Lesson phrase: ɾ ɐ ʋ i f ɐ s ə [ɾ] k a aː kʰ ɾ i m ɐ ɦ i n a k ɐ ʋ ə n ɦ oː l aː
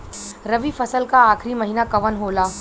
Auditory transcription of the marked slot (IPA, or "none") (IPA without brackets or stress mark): l